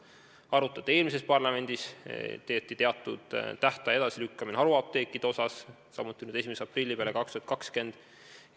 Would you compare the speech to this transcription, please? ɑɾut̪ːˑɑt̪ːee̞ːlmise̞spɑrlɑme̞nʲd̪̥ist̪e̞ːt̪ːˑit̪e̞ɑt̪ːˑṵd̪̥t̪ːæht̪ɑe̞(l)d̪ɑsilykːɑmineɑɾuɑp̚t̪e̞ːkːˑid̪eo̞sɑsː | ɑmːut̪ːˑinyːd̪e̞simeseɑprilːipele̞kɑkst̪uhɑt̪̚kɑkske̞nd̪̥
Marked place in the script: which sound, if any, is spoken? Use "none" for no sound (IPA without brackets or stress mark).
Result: none